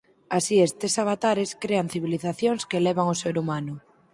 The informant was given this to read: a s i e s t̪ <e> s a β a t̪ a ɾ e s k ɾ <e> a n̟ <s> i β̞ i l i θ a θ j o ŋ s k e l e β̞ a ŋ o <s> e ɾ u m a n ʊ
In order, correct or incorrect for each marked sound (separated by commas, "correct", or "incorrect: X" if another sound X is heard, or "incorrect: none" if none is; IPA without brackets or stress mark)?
correct, correct, incorrect: θ, correct